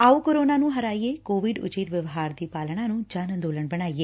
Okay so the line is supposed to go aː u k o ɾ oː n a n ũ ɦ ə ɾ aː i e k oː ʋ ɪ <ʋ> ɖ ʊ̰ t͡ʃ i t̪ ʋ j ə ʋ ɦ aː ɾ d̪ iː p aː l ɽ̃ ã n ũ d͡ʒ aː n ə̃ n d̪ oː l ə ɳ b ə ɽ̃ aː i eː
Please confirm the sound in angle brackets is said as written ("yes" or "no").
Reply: no